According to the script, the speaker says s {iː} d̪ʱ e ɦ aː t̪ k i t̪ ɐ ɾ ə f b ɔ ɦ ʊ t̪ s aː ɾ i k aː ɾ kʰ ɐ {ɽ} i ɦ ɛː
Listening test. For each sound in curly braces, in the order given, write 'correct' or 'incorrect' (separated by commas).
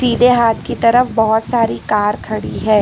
correct, correct